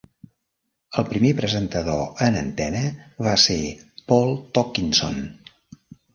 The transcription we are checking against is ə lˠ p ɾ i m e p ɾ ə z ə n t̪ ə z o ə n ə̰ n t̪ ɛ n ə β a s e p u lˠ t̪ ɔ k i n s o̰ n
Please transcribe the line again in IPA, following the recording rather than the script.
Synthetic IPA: ə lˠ p ɾ i m e p ɾ ə z ə n t̪ ə ð o ə n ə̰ n t̪ ɛ n ə β a s e p ɔ lˠ t̪ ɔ k i n s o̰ n